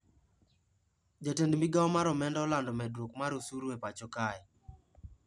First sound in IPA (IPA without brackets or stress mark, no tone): d͡ʒ